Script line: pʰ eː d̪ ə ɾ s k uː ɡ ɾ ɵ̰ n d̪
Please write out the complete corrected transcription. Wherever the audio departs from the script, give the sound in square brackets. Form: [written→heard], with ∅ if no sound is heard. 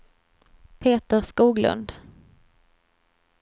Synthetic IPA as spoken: pʰ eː [d̪→t̪] ə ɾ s k uː ɡ [ɾ→l] ɵ̰ n d̪